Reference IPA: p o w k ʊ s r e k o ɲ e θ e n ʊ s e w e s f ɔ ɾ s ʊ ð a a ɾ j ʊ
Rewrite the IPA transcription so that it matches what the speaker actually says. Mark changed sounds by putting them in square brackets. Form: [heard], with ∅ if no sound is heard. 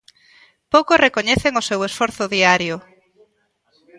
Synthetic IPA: p o w k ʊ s r e k o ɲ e θ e [ŋ] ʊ s e w e s f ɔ ɾ [θ] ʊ ð [i] a ɾ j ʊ